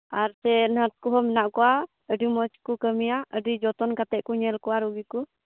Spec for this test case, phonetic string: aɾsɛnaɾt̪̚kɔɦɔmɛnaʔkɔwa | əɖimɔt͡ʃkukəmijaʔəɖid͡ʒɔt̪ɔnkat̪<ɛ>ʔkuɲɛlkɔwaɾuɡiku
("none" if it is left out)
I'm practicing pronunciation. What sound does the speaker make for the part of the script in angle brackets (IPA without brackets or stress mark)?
ɛ